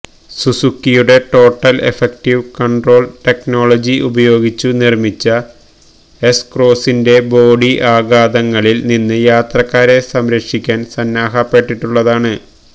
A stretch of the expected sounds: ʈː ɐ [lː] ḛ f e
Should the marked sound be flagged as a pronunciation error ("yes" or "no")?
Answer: yes